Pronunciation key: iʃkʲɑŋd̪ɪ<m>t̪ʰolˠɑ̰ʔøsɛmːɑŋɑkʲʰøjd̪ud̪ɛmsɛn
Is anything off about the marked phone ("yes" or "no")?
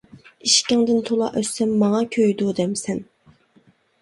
yes